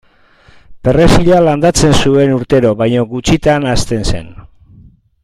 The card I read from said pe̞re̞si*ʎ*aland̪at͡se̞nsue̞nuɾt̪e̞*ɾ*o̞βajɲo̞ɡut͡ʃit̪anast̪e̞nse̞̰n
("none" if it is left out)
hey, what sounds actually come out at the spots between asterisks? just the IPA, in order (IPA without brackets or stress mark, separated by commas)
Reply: ʎ, ɾ